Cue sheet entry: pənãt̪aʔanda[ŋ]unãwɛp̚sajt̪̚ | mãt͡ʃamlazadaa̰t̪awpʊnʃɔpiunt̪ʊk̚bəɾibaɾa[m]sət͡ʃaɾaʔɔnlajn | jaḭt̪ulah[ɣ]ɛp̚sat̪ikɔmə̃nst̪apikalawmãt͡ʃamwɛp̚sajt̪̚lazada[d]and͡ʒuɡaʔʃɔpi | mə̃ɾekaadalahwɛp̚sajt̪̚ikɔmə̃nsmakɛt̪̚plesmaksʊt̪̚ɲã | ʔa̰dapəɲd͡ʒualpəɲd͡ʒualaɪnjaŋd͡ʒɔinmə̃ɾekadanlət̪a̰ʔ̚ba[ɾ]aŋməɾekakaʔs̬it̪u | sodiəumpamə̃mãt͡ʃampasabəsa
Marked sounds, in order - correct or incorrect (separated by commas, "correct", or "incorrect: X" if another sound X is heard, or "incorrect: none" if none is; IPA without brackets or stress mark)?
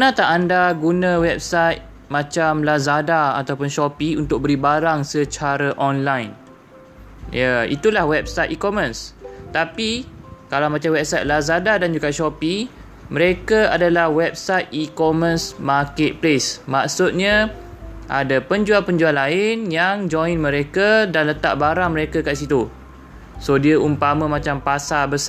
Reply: incorrect: ɡ, incorrect: ŋ, incorrect: w, correct, correct